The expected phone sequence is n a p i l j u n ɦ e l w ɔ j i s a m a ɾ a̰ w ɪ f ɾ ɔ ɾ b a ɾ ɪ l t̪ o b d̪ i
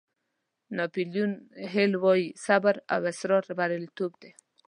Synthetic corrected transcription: n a p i l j u n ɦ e l w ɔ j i s a b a ɾ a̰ w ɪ s ɾ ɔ ɾ b a ɾ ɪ l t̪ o b d̪ e